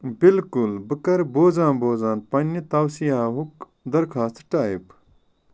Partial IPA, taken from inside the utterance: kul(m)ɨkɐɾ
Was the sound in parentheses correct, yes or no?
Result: no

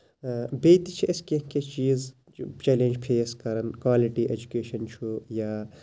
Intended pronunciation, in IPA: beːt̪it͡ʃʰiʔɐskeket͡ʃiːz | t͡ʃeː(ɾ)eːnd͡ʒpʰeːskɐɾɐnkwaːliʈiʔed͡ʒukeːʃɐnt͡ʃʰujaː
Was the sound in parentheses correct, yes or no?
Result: no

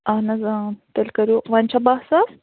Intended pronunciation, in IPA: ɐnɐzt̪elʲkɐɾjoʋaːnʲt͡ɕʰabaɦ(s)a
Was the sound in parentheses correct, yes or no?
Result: yes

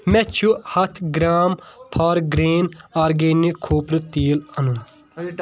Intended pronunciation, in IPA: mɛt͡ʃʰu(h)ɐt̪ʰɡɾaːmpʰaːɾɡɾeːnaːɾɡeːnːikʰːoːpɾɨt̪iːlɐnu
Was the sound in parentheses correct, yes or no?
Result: yes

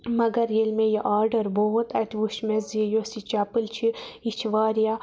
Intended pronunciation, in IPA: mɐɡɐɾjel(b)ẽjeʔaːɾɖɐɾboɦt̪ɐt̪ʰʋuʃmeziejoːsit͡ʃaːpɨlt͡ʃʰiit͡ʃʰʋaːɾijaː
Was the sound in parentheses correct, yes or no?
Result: no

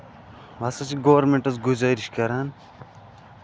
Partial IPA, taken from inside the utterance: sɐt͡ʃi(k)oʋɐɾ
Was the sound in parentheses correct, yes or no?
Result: no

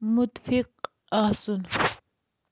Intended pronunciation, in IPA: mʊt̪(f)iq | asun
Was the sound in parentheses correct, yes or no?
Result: yes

